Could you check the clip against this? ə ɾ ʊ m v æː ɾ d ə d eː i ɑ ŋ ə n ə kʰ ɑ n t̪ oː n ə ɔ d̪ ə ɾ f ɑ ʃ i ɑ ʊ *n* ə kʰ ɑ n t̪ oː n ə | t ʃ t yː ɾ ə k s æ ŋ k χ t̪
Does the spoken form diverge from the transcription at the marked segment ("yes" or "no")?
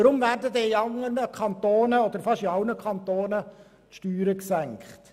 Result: no